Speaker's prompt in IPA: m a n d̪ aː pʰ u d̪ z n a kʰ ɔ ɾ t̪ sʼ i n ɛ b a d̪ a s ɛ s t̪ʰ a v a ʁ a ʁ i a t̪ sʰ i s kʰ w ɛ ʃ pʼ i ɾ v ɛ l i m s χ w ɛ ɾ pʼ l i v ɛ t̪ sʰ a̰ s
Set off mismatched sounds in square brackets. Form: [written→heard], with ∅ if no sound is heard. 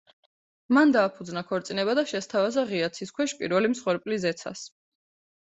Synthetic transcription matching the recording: m a n d̪ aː pʰ u d̪ z n a kʰ ɔ ɾ t̪ sʼ i n ɛ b a d̪ a [s→ʃ] ɛ s t̪ʰ a v a [ʁ→z] a ʁ i a t̪ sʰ i s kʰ w ɛ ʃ pʼ i ɾ v ɛ l i m s χ w ɛ ɾ pʼ l i [v→z] ɛ t̪ sʰ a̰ s